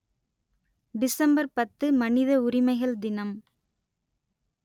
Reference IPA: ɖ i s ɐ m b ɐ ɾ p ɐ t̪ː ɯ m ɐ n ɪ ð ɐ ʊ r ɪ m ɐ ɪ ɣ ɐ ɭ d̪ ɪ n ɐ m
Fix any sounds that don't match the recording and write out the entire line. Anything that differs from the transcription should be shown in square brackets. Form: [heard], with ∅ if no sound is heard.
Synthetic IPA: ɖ [ɪ] s ɐ m b ɐ ɾ p ɐ t̪ː ɯ m ɐ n ɪ ð ɐ ʊ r ɪ m ɐ ɪ ɣ ɐ ɭ d̪ ɪ n ɐ m